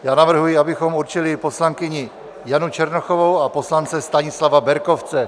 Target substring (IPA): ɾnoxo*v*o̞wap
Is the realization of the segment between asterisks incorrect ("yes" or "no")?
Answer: no